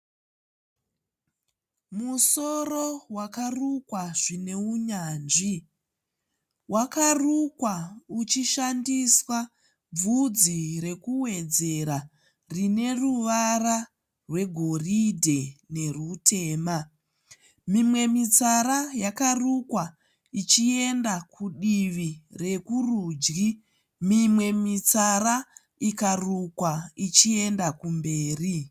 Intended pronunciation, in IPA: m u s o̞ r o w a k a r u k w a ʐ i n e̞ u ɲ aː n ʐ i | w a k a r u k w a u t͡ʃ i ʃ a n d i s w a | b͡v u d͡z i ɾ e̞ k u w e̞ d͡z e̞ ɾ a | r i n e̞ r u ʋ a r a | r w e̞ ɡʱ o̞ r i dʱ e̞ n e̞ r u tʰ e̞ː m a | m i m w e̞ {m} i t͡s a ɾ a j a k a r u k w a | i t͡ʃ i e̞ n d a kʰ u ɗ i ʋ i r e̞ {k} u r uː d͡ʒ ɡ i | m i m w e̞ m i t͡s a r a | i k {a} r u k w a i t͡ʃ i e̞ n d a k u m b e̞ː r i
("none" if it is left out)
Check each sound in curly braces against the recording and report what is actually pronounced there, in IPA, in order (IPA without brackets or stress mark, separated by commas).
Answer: m, k, a